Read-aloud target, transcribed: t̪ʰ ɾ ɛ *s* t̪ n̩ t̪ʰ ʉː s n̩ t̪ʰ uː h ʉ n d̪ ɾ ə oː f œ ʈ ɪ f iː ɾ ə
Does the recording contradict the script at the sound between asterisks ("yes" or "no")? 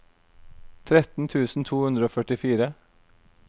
yes